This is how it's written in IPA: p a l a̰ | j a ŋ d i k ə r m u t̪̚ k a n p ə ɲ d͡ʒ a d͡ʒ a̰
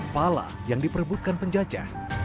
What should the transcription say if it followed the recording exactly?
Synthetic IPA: p a l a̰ | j a ŋ d i p ə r b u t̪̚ k a n p ə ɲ d͡ʒ a d͡ʒ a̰